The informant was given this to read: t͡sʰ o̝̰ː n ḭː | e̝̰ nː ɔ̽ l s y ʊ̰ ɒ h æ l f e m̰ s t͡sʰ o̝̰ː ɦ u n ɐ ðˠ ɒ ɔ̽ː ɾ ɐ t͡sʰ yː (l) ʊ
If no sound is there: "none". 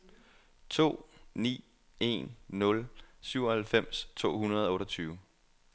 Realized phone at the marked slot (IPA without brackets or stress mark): none